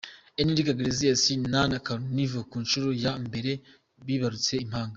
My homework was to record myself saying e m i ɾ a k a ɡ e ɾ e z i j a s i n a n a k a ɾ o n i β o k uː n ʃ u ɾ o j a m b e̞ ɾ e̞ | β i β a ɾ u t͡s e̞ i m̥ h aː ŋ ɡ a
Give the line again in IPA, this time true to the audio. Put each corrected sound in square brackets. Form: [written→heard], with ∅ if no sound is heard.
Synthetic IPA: e [m→n] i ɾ [a→i] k a ɡ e ɾ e z i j a s i n a n a k a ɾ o n i [β→v] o k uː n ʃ u ɾ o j a m b e̞ ɾ e̞ | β i β a ɾ u t͡s e̞ i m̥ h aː ŋ ɡ a